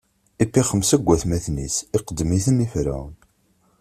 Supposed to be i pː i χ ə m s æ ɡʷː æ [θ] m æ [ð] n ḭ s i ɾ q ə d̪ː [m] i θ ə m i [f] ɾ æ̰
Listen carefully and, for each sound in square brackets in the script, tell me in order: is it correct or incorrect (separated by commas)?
correct, incorrect, correct, correct